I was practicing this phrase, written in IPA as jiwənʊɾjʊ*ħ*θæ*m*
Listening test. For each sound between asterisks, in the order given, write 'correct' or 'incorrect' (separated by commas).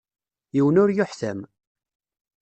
correct, correct